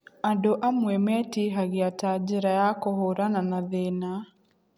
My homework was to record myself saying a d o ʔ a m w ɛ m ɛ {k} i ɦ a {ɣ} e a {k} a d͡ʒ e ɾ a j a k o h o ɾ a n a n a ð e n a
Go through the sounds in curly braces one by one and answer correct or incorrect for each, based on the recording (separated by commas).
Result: incorrect, correct, incorrect